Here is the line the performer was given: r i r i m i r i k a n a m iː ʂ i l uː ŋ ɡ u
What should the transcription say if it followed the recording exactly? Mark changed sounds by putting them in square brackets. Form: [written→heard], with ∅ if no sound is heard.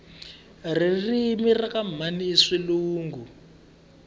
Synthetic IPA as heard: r i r i m i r [i→a] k a [n→m] a [m→n] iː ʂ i l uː ŋ ɡ u